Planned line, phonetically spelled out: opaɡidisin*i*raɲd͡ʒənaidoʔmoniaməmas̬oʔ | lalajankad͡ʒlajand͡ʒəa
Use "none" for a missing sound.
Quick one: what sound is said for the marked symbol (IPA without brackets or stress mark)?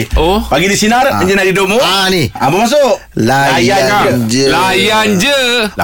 a